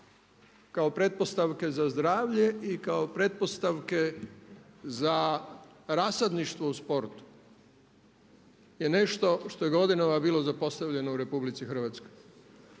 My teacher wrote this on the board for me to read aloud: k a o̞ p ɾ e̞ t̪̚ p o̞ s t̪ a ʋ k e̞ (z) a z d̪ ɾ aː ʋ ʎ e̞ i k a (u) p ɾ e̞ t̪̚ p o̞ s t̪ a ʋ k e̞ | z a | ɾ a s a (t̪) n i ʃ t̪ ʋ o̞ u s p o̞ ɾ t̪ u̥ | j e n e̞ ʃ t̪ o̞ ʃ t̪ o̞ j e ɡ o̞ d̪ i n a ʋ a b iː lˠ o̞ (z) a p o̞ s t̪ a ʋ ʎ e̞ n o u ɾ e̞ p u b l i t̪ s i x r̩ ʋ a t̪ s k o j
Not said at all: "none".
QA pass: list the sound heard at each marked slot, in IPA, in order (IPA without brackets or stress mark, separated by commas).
z, o, d̪, z